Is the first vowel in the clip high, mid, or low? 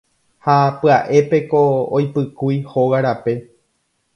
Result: low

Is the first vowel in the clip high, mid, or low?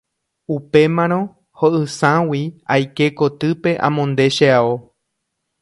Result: high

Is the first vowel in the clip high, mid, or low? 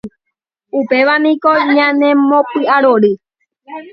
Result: high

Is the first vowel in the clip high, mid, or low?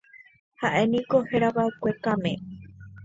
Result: low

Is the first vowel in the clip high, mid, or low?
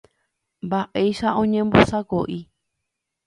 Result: low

